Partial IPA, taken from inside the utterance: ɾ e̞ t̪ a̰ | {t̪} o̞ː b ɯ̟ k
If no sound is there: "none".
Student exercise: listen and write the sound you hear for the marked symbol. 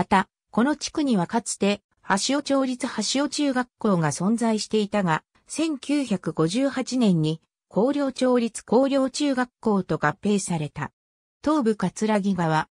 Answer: t̪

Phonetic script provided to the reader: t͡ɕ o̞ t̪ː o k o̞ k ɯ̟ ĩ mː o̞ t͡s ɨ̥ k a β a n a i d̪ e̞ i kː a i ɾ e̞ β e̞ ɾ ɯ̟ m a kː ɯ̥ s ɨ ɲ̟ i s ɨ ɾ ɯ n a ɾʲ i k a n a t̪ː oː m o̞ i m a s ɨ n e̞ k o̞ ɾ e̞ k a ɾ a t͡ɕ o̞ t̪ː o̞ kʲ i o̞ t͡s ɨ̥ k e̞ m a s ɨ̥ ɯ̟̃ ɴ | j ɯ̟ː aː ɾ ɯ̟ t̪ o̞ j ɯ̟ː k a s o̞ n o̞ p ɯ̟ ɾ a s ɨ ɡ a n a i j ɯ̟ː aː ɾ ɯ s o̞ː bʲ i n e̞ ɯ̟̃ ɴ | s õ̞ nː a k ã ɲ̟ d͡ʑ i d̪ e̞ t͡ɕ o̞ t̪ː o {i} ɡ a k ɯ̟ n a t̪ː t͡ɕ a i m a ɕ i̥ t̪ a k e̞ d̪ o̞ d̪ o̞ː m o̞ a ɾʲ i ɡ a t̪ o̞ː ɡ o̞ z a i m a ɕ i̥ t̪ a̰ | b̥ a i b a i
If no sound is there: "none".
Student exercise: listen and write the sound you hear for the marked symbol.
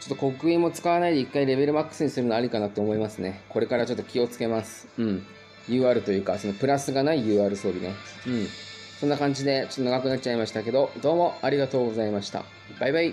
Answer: a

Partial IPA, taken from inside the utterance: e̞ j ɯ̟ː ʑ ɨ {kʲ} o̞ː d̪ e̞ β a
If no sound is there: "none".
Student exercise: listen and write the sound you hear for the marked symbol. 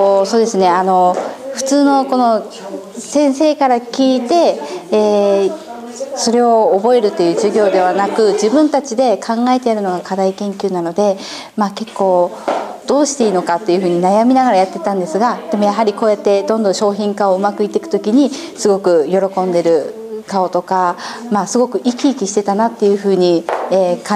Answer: ɡʲ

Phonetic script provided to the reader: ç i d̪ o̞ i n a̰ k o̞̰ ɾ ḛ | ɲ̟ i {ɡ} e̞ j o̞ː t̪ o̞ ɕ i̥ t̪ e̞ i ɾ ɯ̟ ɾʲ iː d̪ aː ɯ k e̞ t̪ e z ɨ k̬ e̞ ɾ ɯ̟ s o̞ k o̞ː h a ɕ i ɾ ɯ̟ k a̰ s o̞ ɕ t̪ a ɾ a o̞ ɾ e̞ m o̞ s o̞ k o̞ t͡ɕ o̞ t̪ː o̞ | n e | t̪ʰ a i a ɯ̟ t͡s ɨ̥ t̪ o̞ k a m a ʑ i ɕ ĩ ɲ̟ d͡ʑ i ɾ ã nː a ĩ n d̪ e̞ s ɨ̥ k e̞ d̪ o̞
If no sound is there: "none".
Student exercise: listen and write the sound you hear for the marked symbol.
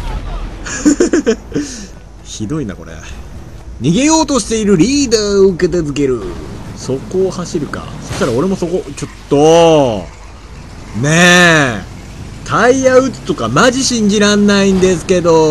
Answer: ɡ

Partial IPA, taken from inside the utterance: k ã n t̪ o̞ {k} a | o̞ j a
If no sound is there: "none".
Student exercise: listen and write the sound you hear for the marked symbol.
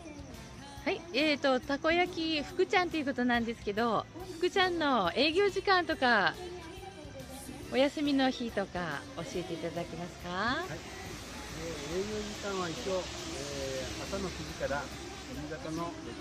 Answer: k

